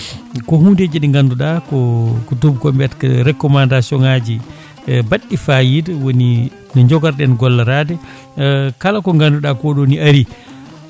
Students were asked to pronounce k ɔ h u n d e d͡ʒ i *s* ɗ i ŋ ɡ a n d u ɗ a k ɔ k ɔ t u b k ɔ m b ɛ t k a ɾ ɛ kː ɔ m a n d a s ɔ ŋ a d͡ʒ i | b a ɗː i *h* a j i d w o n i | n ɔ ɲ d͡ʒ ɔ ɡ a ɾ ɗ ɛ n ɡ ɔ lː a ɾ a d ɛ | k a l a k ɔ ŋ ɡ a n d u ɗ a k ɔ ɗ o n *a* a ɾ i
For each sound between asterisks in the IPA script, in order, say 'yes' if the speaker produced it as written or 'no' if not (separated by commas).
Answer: no, no, no